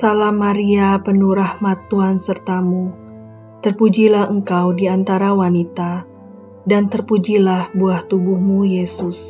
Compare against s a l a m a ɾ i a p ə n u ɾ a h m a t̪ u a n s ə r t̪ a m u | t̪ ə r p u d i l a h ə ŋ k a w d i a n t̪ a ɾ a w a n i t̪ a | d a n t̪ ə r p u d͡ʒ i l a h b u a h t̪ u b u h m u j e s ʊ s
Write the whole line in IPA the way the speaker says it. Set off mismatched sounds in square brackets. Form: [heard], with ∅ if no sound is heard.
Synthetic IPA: s a l a m a ɾ i a p ə n u ɾ a h m a t̪ u a n s ə r t̪ a m u | t̪ ə r p u [d͡ʒ] i l a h ə ŋ k a w d i a n t̪ a ɾ a w a n i t̪ a | d a n t̪ ə r p u d͡ʒ i l a h b u a h t̪ u b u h m u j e s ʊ s